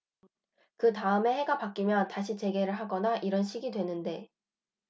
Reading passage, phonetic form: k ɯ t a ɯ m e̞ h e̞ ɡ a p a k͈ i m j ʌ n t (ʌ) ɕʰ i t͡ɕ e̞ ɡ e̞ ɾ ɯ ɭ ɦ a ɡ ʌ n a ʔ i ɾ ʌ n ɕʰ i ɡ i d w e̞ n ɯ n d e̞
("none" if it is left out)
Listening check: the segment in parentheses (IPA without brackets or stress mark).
a